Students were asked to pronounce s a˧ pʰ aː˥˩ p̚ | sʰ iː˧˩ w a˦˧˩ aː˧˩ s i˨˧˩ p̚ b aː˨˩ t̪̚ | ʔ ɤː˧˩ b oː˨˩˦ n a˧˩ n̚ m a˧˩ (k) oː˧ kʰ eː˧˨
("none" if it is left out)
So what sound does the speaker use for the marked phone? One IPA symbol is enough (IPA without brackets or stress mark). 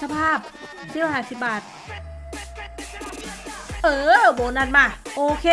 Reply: ʔ